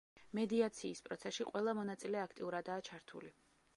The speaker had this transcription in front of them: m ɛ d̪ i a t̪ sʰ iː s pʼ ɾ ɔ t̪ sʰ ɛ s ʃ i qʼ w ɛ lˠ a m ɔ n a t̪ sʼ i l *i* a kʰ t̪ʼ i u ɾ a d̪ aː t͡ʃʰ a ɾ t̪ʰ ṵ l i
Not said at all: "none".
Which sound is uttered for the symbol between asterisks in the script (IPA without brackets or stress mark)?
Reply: ɛ